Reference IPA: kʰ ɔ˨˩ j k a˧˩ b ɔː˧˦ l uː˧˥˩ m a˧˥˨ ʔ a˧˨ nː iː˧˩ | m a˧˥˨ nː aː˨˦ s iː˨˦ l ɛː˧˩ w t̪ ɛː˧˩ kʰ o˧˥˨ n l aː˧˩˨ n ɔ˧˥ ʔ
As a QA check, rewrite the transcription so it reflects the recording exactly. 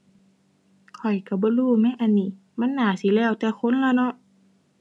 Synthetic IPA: kʰ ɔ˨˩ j k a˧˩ b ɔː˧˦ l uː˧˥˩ m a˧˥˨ ʔ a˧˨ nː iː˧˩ | m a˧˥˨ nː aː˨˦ s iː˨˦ l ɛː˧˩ w t̪ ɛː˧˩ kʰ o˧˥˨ n l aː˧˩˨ n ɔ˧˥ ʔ